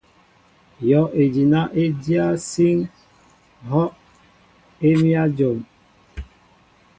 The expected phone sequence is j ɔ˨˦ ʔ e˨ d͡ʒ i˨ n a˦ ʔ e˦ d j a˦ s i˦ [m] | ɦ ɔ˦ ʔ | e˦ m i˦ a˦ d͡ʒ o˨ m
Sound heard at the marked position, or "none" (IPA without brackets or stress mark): ŋ